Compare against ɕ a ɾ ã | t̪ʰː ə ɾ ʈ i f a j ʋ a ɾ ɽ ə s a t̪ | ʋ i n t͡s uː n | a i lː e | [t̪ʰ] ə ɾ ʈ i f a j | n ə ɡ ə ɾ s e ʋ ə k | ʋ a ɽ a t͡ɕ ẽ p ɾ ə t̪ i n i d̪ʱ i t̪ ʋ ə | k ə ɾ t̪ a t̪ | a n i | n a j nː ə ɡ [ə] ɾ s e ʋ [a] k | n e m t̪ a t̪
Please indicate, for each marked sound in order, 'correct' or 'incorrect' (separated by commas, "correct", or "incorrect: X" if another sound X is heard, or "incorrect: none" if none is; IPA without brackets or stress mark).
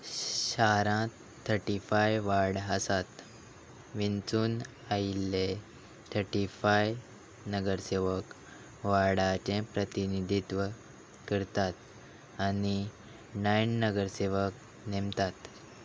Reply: correct, correct, incorrect: ə